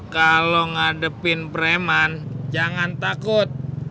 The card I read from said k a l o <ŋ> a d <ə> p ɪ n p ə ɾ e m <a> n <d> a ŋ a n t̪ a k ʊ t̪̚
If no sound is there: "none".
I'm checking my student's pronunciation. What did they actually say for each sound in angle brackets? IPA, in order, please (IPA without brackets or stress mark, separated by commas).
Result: ŋ, ə, a, d͡ʒ